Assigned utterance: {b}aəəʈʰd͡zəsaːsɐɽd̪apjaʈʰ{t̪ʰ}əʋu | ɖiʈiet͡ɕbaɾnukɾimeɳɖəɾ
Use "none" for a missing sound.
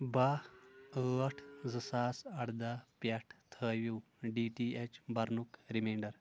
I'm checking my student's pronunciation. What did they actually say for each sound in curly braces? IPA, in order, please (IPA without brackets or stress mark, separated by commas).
b, t̪ʰ